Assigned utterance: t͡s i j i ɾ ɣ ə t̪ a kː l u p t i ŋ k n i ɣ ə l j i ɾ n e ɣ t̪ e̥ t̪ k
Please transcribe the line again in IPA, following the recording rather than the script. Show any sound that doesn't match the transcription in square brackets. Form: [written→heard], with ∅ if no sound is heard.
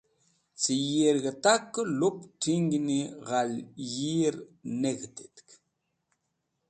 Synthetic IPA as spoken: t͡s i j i ɾ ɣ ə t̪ a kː l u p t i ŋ [k→ɡ] n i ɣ [ə→a] l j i ɾ n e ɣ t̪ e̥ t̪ k